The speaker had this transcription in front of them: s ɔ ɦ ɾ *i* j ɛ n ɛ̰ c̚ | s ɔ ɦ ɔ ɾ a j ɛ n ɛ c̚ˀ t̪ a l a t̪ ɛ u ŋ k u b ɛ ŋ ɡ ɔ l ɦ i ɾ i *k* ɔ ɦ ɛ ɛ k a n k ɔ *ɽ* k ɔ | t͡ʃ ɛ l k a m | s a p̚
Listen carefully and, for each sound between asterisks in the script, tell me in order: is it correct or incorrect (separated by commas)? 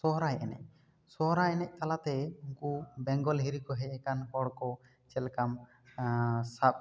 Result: incorrect, correct, correct